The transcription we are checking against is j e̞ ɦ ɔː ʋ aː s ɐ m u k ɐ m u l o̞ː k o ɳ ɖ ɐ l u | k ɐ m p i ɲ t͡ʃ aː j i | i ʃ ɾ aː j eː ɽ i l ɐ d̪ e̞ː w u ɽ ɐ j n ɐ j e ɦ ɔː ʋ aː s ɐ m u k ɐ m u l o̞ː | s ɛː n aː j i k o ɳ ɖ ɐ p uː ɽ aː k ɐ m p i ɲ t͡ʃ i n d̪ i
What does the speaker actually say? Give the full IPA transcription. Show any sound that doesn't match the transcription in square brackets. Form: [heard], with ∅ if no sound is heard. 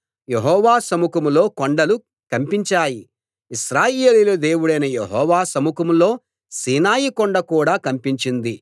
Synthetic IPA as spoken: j e̞ ɦ ɔː ʋ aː s ɐ m u k ɐ m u l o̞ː k o ɳ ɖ ɐ l u | k ɐ m p i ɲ t͡ʃ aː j i | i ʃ ɾ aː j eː [l] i l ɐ d̪ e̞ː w u ɽ ɐ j n ɐ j e ɦ ɔː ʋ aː s ɐ m u k ɐ m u l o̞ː | s [iː] n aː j i k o ɳ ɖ ɐ [k] uː ɽ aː k ɐ m p i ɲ t͡ʃ i n d̪ i